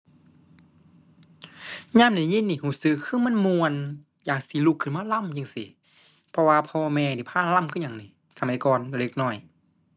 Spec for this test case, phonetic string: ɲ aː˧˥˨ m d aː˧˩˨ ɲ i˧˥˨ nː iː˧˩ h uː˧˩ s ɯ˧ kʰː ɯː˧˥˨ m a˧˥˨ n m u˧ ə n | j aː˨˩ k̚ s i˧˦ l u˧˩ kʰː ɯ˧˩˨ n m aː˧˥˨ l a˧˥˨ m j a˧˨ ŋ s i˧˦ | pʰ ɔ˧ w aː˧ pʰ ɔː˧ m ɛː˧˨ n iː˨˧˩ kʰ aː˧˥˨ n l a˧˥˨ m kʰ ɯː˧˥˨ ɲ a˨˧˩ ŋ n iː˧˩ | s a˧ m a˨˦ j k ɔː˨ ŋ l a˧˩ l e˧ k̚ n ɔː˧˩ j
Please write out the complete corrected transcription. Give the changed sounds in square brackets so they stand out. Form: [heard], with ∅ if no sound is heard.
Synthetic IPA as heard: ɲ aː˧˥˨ m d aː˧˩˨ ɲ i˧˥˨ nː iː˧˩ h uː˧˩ s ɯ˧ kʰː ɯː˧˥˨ m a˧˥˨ n m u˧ ə n | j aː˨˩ k̚ s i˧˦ l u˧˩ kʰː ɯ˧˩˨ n m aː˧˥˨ l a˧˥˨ m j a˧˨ ŋ s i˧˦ | pʰ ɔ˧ w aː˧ pʰ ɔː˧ m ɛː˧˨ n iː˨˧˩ [pʰ] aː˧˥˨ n l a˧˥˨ m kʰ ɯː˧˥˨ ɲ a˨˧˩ ŋ n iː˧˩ | s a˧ m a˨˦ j k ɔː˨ [n] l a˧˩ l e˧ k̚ n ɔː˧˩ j